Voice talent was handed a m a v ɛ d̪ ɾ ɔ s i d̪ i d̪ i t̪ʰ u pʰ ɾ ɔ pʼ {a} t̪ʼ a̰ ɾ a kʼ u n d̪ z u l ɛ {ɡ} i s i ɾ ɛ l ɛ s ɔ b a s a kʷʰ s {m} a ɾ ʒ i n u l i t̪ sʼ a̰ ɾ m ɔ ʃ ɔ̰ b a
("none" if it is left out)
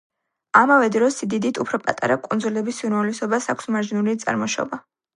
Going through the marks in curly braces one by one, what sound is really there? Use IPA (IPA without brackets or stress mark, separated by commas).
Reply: a, b, m